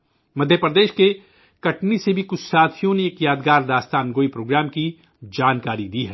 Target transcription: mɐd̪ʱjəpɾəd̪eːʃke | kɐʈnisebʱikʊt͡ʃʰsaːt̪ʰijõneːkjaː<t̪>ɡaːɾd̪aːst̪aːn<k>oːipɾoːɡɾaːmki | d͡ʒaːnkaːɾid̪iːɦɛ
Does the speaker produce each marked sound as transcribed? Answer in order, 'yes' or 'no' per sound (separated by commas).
no, no